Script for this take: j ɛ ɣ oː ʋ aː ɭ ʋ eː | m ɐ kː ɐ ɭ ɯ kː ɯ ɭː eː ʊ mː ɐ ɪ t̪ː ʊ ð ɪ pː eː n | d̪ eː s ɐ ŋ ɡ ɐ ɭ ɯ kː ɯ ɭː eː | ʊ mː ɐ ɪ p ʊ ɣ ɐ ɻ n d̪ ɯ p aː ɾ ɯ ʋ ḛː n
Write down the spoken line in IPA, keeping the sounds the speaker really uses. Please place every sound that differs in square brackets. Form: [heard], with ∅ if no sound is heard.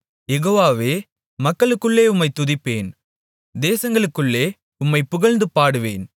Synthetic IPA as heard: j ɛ ɣ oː ʋ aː [∅] ʋ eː | m ɐ kː ɐ ɭ ɯ kː ɯ ɭː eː ʊ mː ɐ ɪ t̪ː ʊ ð ɪ pː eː n | d̪ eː s ɐ ŋ ɡ ɐ ɭ ɯ kː ɯ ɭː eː | ʊ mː ɐ ɪ p ʊ ɣ ɐ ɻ n d̪ ɯ p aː [ɽ] ɯ ʋ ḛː n